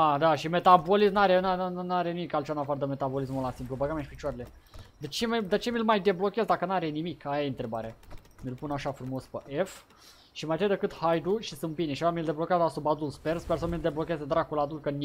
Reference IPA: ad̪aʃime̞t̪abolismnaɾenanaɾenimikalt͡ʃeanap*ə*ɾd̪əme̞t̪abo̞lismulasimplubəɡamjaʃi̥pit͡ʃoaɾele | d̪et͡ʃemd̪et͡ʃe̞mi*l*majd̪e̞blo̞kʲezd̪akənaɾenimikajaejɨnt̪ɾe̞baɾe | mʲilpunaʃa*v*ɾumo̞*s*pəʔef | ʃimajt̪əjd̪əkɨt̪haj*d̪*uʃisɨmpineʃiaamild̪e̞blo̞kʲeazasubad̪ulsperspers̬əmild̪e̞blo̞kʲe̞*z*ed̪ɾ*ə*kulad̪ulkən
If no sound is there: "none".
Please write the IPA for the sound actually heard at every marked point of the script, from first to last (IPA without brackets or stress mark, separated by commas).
a, l, f, s, d̪, z, a